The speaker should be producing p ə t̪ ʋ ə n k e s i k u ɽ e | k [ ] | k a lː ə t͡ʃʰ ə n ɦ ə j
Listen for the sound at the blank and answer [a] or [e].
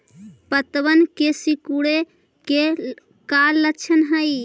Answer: e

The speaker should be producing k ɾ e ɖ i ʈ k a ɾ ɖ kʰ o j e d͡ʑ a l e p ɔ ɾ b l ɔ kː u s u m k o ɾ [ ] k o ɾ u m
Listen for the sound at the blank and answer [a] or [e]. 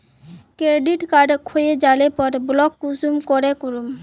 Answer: e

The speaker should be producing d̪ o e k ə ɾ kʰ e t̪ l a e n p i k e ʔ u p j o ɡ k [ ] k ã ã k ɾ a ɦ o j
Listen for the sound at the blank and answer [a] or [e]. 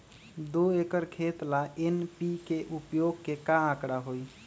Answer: e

